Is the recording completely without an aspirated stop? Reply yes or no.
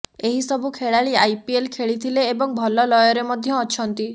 no